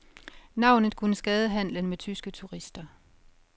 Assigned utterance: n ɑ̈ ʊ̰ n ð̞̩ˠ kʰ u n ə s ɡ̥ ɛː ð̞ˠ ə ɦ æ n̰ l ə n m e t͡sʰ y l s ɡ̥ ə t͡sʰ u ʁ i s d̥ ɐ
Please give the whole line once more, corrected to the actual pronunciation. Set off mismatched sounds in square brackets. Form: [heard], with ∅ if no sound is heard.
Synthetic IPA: n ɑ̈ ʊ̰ n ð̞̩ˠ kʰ u n ə s ɡ̥ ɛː ð̞ˠ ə ɦ æ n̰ l ə n m e t͡sʰ y [∅] s ɡ̥ ə t͡sʰ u ʁ i s d̥ ɐ